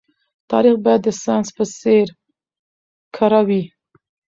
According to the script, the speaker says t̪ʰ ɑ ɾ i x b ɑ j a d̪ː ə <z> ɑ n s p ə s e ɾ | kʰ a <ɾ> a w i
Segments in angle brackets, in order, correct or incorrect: incorrect: s, correct

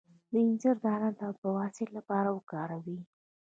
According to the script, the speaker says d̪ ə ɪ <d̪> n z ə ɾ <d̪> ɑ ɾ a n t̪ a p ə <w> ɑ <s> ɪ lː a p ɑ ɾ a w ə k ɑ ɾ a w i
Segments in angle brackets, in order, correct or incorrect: incorrect: none, correct, correct, correct

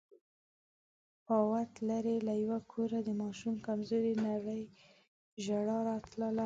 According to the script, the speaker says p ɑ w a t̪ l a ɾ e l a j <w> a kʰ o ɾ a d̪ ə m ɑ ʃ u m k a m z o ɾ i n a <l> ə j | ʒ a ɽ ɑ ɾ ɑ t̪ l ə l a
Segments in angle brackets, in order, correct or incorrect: correct, incorrect: ɽ

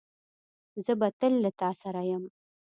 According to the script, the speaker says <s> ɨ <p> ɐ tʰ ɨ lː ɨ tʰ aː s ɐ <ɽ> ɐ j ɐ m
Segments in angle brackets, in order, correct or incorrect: incorrect: z, incorrect: b, incorrect: ɾ

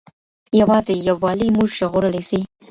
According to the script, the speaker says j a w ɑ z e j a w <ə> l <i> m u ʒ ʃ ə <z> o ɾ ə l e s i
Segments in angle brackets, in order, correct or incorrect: incorrect: ɑ, correct, incorrect: ɣ

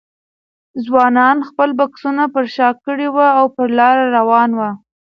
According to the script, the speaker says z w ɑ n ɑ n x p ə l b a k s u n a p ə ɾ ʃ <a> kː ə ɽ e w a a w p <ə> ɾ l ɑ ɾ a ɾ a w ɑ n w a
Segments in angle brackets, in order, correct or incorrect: incorrect: ɑ, correct

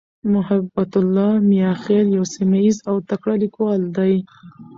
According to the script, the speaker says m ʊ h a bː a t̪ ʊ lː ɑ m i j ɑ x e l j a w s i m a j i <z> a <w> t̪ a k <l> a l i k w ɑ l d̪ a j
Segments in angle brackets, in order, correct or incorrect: correct, correct, incorrect: ɽ

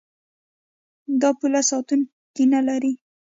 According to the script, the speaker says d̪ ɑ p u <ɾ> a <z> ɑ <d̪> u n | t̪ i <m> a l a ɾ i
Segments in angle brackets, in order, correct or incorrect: incorrect: l, incorrect: s, incorrect: t̪, incorrect: n

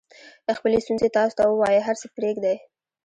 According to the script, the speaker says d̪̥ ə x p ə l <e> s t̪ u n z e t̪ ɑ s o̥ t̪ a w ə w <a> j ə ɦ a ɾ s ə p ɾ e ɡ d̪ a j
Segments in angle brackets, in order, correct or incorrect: correct, incorrect: ɑ

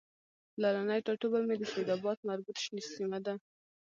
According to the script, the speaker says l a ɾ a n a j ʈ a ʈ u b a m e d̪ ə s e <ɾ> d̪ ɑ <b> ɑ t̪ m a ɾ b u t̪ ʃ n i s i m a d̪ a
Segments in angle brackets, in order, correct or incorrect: incorrect: none, correct

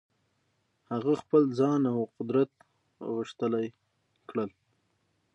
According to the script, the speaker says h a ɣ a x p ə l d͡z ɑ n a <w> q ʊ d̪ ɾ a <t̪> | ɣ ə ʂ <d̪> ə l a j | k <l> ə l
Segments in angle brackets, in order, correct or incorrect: correct, correct, incorrect: t̪, incorrect: ɽ

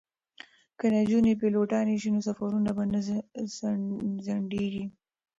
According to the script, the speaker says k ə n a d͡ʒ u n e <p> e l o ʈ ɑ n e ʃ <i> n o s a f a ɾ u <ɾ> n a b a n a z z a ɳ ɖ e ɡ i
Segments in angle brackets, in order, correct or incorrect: correct, correct, incorrect: none

